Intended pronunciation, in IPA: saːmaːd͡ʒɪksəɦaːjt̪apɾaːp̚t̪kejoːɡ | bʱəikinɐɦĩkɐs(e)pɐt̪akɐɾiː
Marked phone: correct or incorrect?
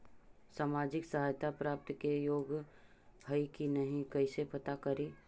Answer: correct